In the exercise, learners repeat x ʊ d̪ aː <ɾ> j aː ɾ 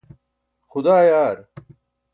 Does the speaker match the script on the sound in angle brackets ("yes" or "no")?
no